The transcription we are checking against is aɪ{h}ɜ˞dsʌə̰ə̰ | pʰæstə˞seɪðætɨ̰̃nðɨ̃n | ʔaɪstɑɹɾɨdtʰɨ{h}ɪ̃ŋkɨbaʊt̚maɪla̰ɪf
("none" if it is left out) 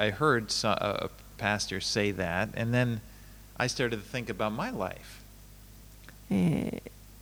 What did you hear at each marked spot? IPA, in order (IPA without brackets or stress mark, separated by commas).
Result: h, θ